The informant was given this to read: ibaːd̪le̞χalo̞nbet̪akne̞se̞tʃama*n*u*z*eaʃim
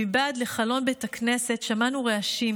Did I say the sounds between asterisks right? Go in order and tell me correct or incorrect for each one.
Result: correct, incorrect: ʁ

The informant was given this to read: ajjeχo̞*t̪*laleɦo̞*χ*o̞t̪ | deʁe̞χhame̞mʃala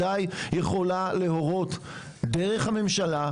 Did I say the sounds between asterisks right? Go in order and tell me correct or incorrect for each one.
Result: incorrect: none, incorrect: ʁ

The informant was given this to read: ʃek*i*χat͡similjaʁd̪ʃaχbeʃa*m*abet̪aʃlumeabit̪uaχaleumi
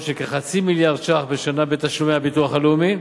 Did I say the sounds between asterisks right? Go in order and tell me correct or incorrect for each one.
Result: incorrect: e, incorrect: n

